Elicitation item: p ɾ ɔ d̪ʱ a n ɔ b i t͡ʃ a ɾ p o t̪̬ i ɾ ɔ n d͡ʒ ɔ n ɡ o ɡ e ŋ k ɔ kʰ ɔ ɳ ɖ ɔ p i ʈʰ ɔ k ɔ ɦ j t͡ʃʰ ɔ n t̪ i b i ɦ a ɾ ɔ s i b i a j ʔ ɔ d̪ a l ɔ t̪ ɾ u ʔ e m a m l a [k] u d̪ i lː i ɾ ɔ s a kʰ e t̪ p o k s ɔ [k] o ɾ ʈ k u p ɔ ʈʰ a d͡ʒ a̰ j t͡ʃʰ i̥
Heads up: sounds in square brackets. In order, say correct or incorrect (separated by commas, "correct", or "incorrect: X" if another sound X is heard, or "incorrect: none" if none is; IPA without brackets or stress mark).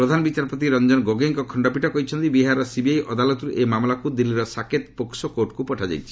correct, correct